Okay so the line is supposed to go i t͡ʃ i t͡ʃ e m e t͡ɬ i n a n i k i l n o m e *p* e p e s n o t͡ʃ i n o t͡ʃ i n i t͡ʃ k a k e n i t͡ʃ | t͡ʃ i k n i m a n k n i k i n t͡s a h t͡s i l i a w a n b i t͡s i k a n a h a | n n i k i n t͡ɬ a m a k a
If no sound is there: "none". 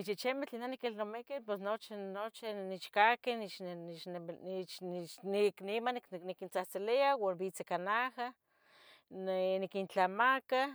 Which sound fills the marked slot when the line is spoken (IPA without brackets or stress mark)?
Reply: k